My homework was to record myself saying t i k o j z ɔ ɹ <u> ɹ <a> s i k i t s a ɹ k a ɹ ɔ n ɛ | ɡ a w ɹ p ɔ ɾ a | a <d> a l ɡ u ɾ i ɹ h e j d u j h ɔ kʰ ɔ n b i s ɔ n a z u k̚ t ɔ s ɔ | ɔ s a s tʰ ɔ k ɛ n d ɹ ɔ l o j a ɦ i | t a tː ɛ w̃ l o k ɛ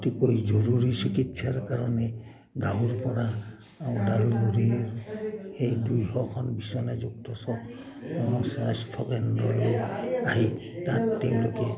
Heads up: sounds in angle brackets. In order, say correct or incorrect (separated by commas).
correct, incorrect, correct